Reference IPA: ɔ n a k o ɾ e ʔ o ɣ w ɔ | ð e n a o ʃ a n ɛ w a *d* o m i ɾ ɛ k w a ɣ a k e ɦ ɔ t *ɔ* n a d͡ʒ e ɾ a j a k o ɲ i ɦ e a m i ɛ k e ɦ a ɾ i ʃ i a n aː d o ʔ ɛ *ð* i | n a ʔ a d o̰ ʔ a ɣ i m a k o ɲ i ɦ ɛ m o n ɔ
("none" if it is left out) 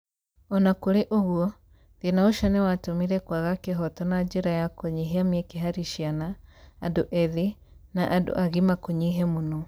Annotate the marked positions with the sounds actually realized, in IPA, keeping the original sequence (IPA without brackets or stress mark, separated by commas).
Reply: t, ɔ, ð